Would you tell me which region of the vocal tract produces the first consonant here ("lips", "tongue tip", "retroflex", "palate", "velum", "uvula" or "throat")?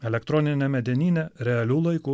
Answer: tongue tip